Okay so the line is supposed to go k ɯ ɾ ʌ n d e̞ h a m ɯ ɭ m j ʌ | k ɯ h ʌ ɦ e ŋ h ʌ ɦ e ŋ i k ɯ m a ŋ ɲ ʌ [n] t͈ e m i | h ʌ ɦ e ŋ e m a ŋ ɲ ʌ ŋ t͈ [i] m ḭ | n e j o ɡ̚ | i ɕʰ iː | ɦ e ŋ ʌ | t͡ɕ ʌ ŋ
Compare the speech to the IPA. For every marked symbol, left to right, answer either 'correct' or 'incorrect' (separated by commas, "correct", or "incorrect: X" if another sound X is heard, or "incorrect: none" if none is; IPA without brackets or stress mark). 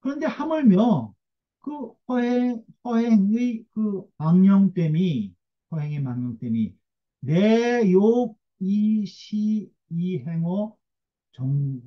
incorrect: ŋ, incorrect: e